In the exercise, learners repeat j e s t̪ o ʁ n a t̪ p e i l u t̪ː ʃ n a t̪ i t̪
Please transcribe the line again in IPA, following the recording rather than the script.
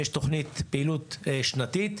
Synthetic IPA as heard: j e ʃ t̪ o χ n i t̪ p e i l u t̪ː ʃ n a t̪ i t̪